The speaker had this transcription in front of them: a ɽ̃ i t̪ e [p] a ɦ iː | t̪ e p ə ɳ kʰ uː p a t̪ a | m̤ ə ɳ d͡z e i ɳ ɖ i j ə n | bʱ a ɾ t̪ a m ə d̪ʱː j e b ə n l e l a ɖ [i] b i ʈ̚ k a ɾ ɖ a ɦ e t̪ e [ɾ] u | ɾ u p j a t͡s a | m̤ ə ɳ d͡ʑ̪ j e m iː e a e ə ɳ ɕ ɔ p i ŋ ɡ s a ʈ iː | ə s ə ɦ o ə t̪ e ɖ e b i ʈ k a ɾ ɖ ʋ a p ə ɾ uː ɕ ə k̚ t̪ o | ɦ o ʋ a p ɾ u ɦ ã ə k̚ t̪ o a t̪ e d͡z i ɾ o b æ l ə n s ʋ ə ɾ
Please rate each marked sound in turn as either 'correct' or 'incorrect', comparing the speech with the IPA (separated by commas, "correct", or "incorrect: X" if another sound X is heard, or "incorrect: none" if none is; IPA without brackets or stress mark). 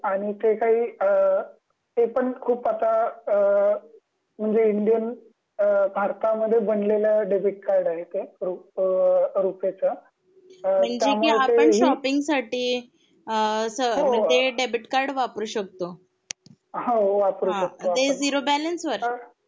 incorrect: k, incorrect: e, correct